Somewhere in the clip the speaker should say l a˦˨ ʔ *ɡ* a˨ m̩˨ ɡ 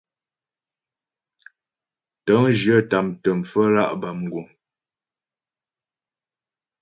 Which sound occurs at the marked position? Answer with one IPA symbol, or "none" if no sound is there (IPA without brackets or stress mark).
b